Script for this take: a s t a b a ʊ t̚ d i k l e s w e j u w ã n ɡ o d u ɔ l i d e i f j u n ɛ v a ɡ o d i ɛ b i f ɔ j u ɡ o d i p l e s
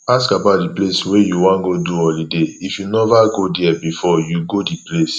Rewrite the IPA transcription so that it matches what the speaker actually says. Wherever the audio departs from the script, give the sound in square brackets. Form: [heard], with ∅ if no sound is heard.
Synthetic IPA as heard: a s [k] a b a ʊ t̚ d i [p] l e s w e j u w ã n ɡ o d u ɔ l i d e i f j u n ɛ v a ɡ o d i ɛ b i f ɔ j u ɡ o d i p l e s